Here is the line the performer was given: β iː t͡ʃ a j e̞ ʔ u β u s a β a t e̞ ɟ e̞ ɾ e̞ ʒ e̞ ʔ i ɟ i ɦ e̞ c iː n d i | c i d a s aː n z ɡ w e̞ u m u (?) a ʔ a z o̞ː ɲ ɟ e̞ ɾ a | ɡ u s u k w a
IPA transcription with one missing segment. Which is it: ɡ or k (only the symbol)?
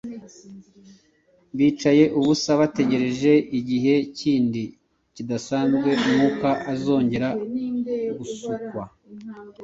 k